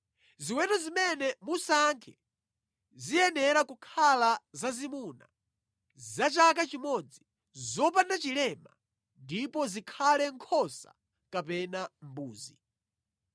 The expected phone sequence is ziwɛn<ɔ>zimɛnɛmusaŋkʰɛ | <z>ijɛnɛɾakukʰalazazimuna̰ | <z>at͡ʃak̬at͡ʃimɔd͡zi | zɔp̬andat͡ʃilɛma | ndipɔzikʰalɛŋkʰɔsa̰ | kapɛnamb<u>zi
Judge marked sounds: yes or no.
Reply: yes, yes, yes, no

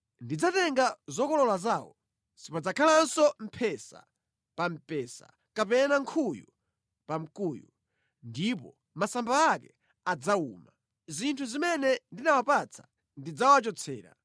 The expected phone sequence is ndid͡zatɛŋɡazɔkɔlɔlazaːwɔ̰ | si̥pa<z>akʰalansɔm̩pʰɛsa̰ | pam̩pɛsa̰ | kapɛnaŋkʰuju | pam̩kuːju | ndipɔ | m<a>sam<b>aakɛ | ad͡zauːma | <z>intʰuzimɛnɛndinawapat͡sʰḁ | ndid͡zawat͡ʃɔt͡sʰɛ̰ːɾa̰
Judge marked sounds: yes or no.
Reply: no, yes, yes, yes

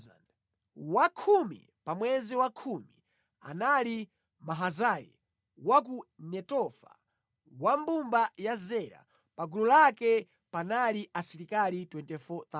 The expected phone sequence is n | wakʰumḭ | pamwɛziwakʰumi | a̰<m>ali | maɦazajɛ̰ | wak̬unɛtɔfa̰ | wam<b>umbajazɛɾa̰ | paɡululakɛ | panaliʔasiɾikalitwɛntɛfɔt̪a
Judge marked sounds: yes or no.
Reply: no, yes

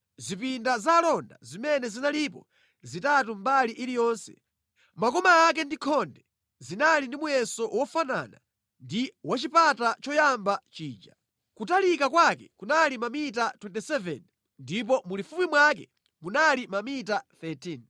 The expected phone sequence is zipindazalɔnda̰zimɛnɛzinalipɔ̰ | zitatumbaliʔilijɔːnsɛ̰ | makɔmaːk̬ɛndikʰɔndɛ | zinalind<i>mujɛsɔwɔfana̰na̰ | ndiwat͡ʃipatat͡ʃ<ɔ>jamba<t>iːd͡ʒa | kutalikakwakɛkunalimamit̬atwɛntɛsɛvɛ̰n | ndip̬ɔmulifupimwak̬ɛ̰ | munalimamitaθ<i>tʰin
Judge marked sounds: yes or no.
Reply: yes, yes, no, no

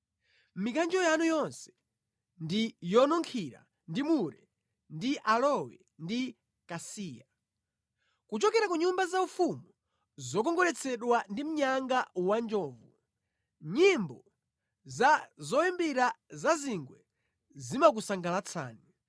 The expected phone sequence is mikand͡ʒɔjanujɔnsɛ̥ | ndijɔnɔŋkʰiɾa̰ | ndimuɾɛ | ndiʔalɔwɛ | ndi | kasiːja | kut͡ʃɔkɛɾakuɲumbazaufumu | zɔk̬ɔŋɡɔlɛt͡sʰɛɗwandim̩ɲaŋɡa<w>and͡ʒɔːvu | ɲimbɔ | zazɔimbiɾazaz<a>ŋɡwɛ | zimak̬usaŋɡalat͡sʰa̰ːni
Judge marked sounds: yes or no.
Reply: yes, no

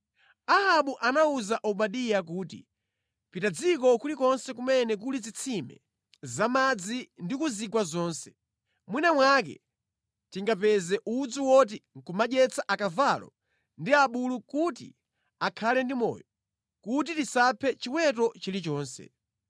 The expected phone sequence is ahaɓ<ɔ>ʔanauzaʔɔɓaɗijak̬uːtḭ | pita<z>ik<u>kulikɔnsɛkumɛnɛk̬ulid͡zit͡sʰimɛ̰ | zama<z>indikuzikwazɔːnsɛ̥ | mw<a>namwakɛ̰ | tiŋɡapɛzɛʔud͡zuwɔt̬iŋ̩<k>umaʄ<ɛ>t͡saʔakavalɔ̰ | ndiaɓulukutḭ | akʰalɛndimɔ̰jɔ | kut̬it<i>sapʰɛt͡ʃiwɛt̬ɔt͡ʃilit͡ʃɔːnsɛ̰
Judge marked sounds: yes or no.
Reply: no, no, no, no, no, yes, yes, yes

